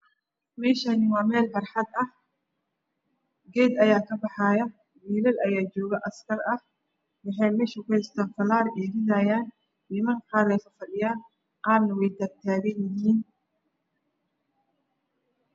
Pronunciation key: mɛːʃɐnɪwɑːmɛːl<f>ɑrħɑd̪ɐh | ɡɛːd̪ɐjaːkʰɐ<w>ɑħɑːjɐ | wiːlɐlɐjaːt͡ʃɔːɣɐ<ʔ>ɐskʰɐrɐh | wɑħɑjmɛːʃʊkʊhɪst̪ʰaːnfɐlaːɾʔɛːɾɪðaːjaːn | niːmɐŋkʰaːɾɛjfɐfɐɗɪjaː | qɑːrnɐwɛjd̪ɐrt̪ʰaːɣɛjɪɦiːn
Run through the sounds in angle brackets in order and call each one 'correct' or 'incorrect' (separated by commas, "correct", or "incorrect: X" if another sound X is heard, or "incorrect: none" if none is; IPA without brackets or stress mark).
correct, incorrect: b, correct